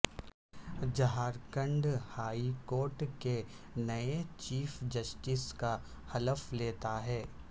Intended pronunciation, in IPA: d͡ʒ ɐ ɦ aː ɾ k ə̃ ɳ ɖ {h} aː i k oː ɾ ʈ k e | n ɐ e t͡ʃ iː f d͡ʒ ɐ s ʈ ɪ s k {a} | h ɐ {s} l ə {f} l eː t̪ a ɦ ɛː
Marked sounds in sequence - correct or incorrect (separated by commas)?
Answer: correct, correct, incorrect, correct